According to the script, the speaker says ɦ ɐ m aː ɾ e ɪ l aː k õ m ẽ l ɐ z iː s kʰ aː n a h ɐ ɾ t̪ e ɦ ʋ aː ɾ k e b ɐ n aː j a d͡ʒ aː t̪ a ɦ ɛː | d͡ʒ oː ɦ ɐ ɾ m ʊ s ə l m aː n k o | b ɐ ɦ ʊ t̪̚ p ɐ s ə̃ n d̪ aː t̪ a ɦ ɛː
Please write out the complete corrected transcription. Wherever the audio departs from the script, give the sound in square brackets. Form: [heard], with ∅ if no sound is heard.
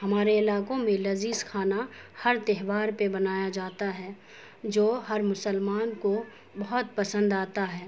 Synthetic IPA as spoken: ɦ ɐ m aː ɾ e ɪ l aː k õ m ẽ l ɐ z iː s kʰ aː n a h ɐ ɾ t̪ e ɦ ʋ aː ɾ [p] e b ɐ n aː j a d͡ʒ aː t̪ a ɦ ɛː | d͡ʒ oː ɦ ɐ ɾ m ʊ s ə l m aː n k o | b ɐ ɦ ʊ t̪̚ p ɐ s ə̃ n d̪ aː t̪ a ɦ ɛː